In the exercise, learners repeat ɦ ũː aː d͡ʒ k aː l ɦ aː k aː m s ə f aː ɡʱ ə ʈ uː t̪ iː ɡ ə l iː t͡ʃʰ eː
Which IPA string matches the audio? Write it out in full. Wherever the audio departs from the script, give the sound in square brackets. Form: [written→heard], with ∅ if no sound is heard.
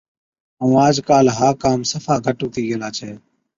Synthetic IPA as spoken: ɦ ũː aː d͡ʒ k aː l ɦ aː k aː m s ə f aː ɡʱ ə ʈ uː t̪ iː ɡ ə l [iː→aː] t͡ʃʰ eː